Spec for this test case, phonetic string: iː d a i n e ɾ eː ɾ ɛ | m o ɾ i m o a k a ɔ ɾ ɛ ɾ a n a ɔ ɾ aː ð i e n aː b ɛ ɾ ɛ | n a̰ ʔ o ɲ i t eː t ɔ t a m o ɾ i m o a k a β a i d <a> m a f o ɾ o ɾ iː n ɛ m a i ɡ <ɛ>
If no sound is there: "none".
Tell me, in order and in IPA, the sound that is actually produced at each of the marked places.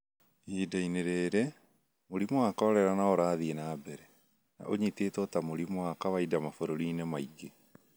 a, e

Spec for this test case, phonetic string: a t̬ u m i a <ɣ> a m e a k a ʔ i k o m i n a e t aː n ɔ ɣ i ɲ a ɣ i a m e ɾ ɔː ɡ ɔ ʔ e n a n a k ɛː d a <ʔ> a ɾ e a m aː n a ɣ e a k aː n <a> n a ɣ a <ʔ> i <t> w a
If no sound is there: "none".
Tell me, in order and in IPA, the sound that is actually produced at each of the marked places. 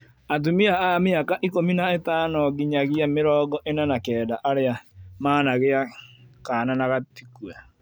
none, ʔ, a, t, k

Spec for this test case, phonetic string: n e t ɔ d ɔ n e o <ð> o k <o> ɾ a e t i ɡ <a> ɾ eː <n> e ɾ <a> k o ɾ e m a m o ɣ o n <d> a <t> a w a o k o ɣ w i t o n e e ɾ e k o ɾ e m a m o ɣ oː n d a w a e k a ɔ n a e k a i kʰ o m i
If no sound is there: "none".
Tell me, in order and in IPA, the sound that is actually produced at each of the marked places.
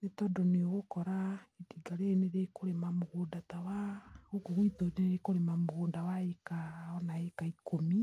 ɣ, ɔ, a, n, e, d, t

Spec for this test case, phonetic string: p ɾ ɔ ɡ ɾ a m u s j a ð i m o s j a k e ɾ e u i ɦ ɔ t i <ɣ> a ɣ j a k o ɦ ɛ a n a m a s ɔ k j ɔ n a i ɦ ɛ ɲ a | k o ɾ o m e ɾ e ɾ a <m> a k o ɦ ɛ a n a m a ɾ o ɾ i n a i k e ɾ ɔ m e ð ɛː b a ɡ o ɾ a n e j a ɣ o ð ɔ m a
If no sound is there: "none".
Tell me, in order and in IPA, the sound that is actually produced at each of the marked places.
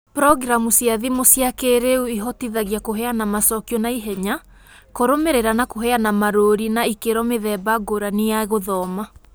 ð, n

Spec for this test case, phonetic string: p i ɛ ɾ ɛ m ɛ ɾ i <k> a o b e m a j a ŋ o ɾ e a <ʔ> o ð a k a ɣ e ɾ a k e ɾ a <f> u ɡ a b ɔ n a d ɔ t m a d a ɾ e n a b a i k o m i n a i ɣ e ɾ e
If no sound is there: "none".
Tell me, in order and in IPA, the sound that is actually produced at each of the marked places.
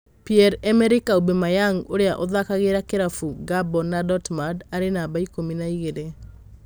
k, ʔ, f

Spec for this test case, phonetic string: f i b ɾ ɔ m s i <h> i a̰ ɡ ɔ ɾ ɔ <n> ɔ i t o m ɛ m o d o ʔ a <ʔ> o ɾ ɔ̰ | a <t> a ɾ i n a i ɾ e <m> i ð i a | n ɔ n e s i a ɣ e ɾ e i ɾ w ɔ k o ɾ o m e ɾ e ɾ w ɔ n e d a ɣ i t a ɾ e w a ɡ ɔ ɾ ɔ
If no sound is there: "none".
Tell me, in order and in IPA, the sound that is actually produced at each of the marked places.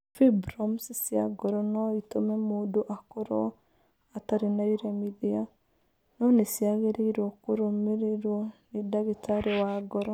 s, n, k, t, m

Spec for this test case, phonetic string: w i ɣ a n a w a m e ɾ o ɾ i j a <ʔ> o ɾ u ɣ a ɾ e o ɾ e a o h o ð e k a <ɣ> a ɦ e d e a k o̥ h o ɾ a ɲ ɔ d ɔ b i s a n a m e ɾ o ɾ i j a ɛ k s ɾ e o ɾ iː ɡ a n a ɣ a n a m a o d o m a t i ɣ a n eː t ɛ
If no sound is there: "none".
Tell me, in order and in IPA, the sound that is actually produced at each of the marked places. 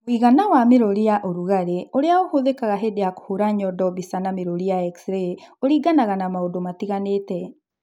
ʔ, ɣ

